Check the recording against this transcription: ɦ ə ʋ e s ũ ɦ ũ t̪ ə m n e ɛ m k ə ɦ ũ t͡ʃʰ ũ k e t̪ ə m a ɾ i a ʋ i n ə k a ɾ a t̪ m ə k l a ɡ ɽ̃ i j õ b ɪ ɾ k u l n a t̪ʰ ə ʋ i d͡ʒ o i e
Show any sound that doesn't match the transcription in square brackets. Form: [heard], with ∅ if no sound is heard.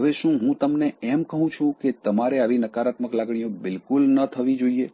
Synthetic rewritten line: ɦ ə ʋ e [ʃ] ũ ɦ ũ t̪ ə m n e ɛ m k ə ɦ ũ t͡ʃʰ ũ k e t̪ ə m a ɾ [e] a ʋ i n ə k a ɾ a t̪ m ə k l a ɡ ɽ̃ i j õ b ɪ [l] k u l n [ə] t̪ʰ ə ʋ i d͡ʒ o i e